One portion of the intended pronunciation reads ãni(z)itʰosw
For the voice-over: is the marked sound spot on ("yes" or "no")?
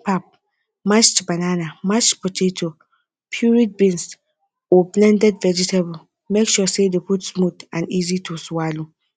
yes